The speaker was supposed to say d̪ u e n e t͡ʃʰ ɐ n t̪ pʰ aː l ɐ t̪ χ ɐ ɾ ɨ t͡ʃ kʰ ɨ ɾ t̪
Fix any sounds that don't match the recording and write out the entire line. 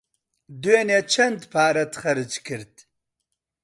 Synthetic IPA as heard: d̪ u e n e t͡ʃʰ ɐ n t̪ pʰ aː ɾ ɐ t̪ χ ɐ ɾ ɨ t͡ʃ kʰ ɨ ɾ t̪